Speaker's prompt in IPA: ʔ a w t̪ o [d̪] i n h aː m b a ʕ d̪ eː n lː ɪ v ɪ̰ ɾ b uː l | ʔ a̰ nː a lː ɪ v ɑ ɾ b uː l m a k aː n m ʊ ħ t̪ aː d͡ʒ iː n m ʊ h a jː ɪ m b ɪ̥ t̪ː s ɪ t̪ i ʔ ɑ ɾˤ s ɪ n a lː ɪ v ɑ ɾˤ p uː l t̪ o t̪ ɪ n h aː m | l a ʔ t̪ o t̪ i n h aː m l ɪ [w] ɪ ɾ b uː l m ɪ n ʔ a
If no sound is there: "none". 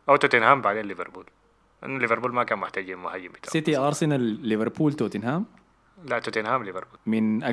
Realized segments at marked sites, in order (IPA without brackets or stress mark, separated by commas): t̪, v